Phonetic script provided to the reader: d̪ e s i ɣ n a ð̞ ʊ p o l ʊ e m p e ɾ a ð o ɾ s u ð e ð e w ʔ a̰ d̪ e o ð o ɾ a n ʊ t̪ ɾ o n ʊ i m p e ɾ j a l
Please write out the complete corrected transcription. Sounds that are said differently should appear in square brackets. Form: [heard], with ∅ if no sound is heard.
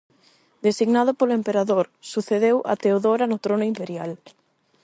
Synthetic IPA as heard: d̪ e s i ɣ n a ð̞ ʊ p o l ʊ e m p e ɾ a ð o ɾ s u [θ] e ð e w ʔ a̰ [t̪] e o ð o ɾ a n ʊ t̪ ɾ o n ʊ i m p e ɾ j a l